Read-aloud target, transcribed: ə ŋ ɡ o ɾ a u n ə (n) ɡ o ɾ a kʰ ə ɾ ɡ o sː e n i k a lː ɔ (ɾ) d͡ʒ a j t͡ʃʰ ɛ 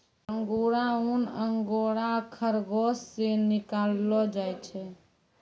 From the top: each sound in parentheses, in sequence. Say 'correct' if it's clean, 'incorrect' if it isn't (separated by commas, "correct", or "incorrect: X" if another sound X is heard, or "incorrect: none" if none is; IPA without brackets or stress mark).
incorrect: ŋ, incorrect: none